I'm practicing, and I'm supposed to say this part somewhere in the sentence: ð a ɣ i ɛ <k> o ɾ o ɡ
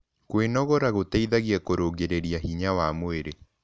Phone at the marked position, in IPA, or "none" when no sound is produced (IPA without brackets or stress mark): k